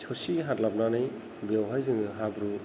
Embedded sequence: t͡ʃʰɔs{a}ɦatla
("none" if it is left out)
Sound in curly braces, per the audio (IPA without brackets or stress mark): i